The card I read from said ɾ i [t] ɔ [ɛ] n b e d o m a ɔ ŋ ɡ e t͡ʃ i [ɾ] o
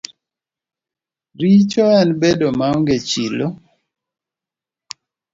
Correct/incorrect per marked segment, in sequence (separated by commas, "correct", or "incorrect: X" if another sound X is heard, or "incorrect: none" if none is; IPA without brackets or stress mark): incorrect: t͡ʃ, correct, incorrect: l